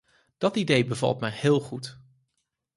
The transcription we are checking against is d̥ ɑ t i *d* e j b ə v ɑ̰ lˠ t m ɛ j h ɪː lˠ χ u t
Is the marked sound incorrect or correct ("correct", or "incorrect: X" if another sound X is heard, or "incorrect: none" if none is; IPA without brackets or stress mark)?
correct